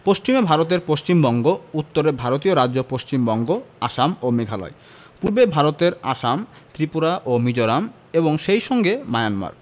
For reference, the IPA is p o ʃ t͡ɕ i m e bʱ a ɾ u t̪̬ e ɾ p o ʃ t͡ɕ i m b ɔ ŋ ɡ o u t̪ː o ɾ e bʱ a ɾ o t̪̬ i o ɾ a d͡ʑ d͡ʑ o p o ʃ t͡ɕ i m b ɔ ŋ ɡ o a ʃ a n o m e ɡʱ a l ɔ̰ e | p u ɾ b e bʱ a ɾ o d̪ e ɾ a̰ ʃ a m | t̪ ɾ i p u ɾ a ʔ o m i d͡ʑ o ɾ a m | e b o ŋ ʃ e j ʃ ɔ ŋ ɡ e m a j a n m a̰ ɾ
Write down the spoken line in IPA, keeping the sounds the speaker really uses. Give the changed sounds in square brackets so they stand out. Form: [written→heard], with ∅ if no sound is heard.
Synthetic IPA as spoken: p o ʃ t͡ɕ i m e bʱ a ɾ [u→o] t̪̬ e ɾ p o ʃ t͡ɕ i m b ɔ ŋ ɡ o u t̪ː o ɾ e bʱ a ɾ o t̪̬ i o ɾ a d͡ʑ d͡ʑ o p o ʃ t͡ɕ i m b ɔ ŋ ɡ o a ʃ a [n→m] o m e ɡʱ a l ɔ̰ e | p u ɾ b e bʱ a ɾ o [d̪→t̪] e ɾ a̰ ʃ a m | t̪ ɾ i p u ɾ a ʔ o m i d͡ʑ o ɾ a m | e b o ŋ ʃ e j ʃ ɔ ŋ ɡ e m a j a n m a̰ ɾ